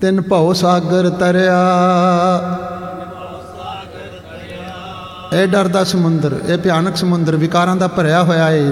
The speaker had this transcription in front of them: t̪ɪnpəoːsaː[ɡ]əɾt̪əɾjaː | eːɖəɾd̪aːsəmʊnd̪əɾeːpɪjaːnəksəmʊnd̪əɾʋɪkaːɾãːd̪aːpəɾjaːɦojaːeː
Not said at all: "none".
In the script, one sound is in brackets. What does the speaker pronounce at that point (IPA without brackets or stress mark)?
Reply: ɡ